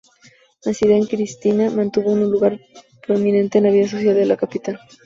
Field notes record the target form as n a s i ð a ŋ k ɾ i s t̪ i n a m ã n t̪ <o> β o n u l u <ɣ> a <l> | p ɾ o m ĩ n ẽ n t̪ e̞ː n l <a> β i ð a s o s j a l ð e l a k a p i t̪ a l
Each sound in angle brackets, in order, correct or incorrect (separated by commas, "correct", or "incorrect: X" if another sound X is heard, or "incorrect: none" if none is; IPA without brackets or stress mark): incorrect: u, correct, incorrect: ɾ, correct